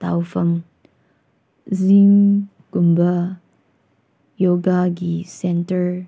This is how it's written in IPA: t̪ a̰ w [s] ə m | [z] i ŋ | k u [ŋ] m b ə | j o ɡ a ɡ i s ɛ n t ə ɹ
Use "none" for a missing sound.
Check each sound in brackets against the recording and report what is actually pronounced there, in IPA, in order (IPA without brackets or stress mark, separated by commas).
f, z, none